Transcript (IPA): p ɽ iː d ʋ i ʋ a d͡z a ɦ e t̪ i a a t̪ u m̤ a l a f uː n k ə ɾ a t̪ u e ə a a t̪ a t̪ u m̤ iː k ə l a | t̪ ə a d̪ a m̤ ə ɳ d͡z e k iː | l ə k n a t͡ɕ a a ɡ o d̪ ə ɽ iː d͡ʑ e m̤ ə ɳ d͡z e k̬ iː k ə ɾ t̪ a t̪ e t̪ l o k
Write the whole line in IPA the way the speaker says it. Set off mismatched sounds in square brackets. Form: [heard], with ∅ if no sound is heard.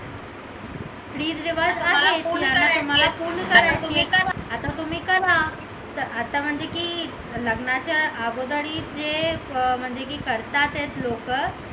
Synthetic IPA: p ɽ iː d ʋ i ʋ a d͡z a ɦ e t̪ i a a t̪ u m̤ a l a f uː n k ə ɾ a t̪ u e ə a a t̪ a t̪ u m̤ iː k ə l a | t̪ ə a [t̪] a m̤ ə ɳ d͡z e k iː | l ə [ɡ] n a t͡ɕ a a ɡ o d̪ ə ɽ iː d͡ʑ e m̤ ə ɳ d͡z e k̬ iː k ə ɾ t̪ a t̪ e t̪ l o k